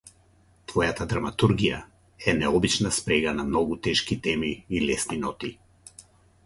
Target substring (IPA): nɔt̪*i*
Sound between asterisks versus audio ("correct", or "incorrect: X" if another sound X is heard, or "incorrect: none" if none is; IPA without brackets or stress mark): correct